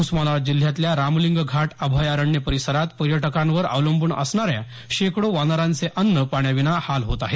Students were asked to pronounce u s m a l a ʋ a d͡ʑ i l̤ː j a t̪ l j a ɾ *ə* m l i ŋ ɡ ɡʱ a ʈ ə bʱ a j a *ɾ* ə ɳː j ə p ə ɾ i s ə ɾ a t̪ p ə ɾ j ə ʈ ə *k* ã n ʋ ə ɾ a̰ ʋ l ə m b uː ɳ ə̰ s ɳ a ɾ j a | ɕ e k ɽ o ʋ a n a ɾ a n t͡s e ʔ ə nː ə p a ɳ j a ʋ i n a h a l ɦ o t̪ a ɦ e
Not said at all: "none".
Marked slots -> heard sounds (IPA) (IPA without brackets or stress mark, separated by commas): a, ɾ, k